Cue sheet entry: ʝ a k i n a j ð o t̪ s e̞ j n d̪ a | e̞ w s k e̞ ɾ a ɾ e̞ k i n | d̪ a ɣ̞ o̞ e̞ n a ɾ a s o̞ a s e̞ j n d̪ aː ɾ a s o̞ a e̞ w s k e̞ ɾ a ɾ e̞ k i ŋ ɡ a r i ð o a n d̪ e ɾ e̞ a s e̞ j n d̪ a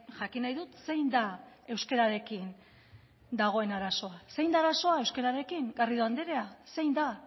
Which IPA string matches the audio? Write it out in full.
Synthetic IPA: ʝ a k i n a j ð u t̪ s e̞ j n d̪ a | e̞ w s k e̞ ɾ a ɾ e̞ k i n | d̪ a ɣ̞ o̞ e̞ n a ɾ a s o̞ a s e̞ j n d̪ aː ɾ a s o̞ a e̞ w s k e̞ ɾ a ɾ e̞ k i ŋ ɡ a r i ð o a n d̪ e ɾ e̞ a s e̞ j n d̪ a